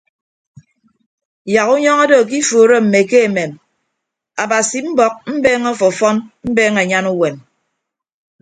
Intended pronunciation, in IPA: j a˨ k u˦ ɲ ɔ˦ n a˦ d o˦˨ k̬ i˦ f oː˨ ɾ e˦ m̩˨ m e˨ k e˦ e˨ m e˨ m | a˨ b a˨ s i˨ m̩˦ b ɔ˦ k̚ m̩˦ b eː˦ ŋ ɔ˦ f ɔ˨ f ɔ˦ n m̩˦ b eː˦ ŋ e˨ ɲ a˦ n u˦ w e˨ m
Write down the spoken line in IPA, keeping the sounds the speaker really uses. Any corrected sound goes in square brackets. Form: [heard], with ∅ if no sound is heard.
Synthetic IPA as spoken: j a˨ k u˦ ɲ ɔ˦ [ŋ] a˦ d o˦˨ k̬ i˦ f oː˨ ɾ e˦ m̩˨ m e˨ k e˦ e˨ m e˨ m | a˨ b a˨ s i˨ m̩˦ b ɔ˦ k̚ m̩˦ b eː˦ ŋ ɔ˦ f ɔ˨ f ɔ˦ n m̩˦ b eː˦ ŋ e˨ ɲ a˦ n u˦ w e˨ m